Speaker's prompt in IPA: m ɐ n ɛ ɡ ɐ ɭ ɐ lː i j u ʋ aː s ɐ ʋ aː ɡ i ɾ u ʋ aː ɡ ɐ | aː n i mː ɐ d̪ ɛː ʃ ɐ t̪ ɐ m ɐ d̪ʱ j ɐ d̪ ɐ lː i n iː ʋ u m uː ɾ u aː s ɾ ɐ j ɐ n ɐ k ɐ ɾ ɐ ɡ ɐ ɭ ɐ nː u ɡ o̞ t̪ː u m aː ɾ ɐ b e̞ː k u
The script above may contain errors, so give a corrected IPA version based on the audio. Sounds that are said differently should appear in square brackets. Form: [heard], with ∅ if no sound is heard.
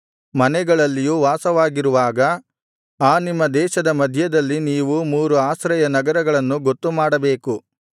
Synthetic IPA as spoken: m ɐ n ɛ ɡ ɐ ɭ ɐ lː i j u ʋ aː s ɐ ʋ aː ɡ i ɾ u ʋ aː ɡ ɐ | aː n i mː ɐ d̪ ɛː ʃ ɐ [d̪] ɐ m ɐ d̪ʱ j ɐ d̪ ɐ lː i n iː ʋ u m uː ɾ u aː s ɾ ɐ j ɐ n ɐ [ɡ] ɐ ɾ ɐ ɡ ɐ ɭ ɐ nː u ɡ o̞ t̪ː u m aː [ɽ] ɐ b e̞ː k u